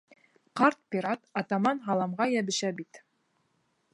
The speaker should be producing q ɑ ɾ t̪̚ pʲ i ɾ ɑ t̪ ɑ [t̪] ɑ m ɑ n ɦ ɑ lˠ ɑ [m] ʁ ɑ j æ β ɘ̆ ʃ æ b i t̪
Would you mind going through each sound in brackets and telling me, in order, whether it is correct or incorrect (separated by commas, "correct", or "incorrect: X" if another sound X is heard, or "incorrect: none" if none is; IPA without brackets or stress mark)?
correct, correct